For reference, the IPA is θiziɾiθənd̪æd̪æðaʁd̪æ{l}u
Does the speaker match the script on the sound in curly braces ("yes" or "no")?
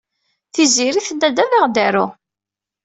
no